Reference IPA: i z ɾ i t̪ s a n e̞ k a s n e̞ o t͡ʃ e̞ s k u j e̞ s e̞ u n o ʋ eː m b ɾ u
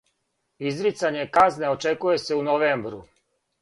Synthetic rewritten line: i z ɾ i t̪ s a ɲ e̞ k a z n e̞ o t͡ʃ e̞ k u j e̞ s e̞ u n o ʋ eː m b ɾ u